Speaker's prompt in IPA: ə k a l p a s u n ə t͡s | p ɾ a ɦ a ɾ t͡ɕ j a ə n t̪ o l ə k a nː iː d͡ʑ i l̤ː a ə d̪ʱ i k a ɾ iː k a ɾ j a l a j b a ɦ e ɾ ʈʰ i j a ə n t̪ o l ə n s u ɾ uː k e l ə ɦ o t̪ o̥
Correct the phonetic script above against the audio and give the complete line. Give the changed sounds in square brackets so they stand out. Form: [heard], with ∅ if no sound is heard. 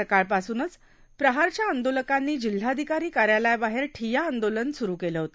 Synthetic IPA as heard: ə k a [ɭ] p a s [uː] n ə t͡s | p ɾ [ə] ɦ a ɾ t͡ɕ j a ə n [d̪] o l ə k a nː iː d͡ʑ i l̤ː a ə d̪ʱ i k a ɾ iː k a ɾ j a l a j b a ɦ e ɾ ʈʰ i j a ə n [d̪] o l ə n s u ɾ uː k e l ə ɦ o t̪ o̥